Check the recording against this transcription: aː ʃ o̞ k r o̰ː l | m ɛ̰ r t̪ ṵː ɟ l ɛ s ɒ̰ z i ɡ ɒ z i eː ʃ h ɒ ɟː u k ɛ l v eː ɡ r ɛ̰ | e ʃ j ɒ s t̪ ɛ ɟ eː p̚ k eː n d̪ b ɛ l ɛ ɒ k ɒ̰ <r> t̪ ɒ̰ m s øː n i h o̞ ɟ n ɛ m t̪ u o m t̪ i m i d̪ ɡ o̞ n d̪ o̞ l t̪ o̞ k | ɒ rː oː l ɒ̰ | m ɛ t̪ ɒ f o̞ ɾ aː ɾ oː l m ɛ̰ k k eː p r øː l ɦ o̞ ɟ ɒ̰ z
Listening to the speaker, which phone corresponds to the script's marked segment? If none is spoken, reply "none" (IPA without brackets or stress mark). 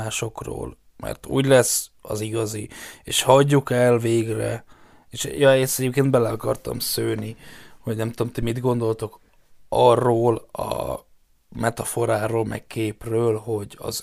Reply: r